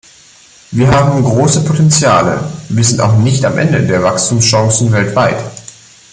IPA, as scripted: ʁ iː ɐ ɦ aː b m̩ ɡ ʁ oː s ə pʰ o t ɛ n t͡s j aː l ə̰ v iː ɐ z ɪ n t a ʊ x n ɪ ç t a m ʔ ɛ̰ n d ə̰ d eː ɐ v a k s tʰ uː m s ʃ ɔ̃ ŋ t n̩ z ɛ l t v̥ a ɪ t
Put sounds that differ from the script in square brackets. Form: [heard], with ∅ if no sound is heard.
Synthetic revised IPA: [v] iː ɐ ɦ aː b m̩ ɡ ʁ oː s ə pʰ o t ɛ n t͡s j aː l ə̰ v iː ɐ z ɪ n t a ʊ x n ɪ ç t a m ʔ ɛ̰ n d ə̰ d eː ɐ v a k s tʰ uː m s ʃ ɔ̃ ŋ [s] n̩ [v] ɛ l t v̥ a ɪ t